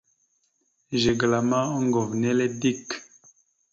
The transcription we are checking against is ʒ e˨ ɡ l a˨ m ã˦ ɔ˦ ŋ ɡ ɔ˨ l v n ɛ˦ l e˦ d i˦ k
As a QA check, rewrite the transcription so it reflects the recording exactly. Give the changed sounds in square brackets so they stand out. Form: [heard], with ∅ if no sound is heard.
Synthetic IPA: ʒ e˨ ɡ l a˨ m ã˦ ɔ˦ ŋ ɡ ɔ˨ [∅] v n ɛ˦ l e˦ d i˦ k